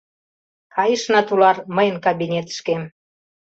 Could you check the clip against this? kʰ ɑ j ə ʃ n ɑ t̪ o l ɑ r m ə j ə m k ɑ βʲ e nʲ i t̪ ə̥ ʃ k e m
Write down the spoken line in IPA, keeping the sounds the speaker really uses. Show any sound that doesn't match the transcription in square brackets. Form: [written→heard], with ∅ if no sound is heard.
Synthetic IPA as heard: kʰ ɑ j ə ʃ n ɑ t̪ [o→u] l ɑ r m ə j ə [m→n] k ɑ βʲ [e→i] nʲ [i→e] t̪ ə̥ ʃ k e m